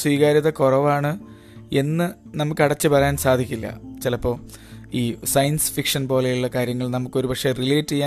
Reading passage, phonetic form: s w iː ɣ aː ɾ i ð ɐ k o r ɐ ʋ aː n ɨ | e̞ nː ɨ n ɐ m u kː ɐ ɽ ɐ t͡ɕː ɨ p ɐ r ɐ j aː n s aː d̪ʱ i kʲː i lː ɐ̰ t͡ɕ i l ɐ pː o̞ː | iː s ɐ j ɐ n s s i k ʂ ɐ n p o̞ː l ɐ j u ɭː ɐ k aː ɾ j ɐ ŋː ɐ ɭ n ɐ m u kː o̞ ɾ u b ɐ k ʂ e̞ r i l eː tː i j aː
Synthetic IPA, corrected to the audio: s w iː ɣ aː ɾ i ð ɐ k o r ɐ ʋ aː ɳ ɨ | e̞ nː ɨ n ɐ m u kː ɐ ɽ ɐ t͡ɕː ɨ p ɐ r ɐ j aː n s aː d̪ʱ i kʲː i lː ɐ̰ t͡ɕ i l ɐ pː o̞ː | iː s ɐ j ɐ n s f i k ʂ ɐ n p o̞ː l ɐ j u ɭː ɐ k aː ɾ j ɐ ŋː ɐ ɭ n ɐ m u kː o̞ ɾ u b ɐ k ʂ e̞ r i l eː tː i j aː